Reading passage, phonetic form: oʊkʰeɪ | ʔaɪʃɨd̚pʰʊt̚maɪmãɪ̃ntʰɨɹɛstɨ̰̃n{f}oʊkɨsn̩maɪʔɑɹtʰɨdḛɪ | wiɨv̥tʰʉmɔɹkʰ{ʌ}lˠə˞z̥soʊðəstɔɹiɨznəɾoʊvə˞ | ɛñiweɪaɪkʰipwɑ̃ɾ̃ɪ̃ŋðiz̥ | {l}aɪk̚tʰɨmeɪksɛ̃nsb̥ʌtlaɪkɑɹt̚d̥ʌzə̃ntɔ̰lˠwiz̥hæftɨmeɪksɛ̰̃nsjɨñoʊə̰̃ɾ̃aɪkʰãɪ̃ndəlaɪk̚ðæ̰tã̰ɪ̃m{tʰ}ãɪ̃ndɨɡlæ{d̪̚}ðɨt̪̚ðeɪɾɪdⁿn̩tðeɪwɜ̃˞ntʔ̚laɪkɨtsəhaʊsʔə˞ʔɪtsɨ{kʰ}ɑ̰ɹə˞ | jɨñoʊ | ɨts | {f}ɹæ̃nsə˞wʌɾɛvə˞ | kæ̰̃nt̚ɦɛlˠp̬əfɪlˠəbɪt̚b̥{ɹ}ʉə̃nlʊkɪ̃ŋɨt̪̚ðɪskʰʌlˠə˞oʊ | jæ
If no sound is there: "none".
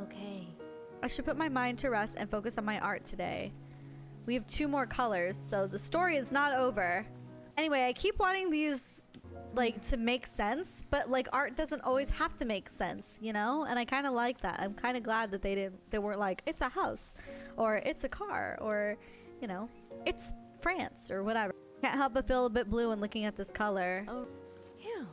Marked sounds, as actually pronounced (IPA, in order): f, ʌ, l, kʰ, d̪̚, kʰ, f, l

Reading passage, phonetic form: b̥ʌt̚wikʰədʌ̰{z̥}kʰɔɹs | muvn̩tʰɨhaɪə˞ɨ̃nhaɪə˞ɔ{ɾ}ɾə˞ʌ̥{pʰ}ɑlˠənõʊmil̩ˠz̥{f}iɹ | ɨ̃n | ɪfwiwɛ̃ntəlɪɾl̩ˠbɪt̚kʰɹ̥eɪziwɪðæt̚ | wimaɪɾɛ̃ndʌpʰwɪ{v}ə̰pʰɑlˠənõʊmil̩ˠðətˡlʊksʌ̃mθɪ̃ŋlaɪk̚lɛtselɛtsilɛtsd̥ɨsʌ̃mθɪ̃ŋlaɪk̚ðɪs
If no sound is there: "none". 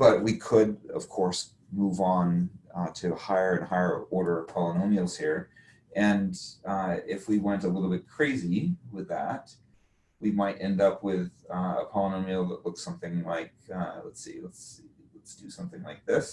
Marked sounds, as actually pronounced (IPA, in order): v̥, ɹ, pʰ, h, ð

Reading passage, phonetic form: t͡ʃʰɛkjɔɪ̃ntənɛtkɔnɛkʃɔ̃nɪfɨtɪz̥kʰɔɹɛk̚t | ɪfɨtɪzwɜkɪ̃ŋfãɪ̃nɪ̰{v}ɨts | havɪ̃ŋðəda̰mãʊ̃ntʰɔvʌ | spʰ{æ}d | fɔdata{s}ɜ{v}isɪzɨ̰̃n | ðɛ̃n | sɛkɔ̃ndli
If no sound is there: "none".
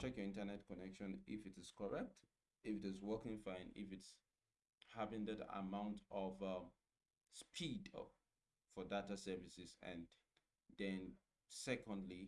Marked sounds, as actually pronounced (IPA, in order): f, i, s, v

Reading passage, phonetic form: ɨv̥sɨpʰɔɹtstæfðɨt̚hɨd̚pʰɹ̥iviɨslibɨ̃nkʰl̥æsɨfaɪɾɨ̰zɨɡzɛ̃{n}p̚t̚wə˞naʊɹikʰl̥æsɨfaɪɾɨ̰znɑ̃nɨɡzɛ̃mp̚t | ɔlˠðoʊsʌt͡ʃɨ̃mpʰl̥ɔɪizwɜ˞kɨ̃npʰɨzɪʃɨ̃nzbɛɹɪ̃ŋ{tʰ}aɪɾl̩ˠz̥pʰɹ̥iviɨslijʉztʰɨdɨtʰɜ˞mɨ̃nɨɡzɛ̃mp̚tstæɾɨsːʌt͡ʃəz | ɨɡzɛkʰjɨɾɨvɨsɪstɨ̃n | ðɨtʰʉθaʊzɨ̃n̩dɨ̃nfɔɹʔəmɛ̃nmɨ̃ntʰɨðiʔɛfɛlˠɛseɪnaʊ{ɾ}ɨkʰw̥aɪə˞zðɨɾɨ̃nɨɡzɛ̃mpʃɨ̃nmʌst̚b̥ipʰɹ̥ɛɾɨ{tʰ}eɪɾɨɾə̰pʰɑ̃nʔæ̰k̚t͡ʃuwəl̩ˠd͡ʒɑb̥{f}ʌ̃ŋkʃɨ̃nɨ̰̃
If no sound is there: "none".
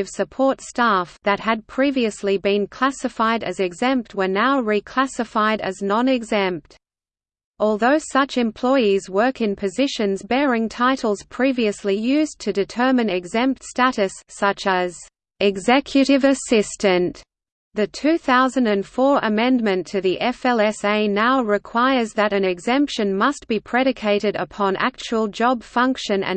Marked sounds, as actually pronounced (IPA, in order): m, tʰ, ɹ, kʰ, f

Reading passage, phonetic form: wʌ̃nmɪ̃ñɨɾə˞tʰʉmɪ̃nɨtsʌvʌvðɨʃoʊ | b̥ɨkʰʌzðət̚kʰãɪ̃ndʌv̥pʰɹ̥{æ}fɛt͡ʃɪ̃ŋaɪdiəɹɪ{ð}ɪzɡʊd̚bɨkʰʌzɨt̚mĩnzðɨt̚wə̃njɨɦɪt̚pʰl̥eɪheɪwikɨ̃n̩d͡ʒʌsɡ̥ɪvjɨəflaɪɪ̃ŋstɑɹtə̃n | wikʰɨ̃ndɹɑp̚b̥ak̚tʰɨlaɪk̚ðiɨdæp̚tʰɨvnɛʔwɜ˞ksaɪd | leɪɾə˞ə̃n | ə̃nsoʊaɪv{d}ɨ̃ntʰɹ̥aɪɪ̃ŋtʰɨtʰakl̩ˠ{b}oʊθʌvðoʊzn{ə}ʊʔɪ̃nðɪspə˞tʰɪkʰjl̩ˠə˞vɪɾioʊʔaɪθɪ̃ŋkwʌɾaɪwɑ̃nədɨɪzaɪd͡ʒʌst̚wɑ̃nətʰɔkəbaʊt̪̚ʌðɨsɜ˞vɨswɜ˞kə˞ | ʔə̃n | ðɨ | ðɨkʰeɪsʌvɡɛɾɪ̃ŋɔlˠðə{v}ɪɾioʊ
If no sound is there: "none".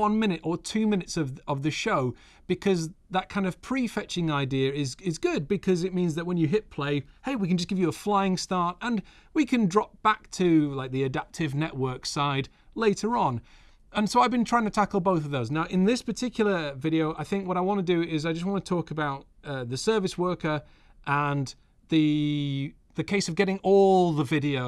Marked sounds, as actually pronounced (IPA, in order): i, z, b, b, a, v

